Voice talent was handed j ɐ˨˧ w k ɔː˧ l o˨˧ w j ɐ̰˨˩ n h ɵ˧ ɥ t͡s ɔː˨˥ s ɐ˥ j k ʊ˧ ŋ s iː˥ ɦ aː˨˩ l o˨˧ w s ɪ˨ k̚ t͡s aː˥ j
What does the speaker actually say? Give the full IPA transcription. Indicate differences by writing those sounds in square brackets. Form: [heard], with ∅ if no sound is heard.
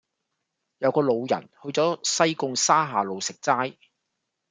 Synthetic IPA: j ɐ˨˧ w k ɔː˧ l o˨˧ w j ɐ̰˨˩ n h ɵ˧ ɥ t͡s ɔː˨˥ s ɐ˥ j k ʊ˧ ŋ s [aː˥] ɦ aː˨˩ l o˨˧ w s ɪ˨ k̚ t͡s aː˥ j